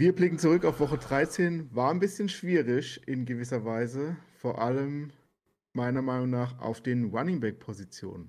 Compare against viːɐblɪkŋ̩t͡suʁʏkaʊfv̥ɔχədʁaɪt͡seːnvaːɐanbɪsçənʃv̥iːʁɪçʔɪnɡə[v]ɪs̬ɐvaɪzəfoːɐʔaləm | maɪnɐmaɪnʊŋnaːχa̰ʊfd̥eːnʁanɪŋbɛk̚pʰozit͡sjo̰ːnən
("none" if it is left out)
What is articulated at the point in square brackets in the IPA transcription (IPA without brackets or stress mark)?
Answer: v